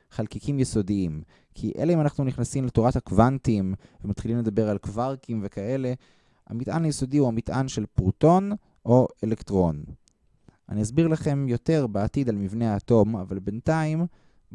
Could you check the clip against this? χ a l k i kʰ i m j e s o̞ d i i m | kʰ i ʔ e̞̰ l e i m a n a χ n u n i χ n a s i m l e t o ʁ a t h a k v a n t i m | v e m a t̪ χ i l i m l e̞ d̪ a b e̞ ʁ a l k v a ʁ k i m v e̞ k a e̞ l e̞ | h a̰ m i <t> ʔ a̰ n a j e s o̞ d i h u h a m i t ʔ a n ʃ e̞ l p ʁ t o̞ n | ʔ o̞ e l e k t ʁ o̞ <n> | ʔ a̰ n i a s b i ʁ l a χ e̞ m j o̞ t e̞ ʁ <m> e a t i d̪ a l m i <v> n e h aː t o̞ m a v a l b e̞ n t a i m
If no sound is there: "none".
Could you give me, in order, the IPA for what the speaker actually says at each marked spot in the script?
t, n, b, v

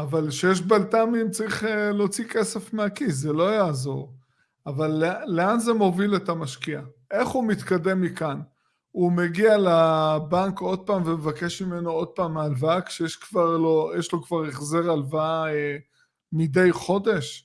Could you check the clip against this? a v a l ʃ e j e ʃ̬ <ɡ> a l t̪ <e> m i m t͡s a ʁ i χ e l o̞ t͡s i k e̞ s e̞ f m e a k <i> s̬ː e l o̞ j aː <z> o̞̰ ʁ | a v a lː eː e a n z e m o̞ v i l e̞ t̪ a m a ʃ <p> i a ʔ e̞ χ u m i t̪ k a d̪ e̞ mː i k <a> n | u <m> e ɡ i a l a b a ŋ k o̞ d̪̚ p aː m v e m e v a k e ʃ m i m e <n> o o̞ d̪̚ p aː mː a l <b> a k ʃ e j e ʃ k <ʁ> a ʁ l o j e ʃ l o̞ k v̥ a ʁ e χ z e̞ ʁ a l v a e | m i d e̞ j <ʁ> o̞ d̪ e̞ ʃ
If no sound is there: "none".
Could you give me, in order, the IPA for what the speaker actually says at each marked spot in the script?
b, a, i, z, k, a, m, n, v, v, χ

